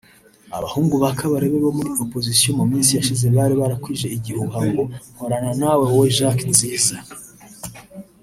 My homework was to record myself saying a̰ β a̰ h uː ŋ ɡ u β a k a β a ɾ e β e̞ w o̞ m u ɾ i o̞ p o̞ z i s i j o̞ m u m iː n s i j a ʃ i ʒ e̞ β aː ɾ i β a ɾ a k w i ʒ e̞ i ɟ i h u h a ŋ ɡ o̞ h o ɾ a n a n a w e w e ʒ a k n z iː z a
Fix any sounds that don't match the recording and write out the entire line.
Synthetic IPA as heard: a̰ β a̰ h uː ŋ ɡ u β a k a β a ɾ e β e̞ β o̞ m u ɾ i o̞ p o̞ z i s i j o̞ m u m iː n s i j a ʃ i z e̞ β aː ɾ i β a ɾ a k w i ʒ e̞ i ɟ i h u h a ŋ ɡ o̞ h o ɾ a n a n a w e w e ʒ a k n z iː z a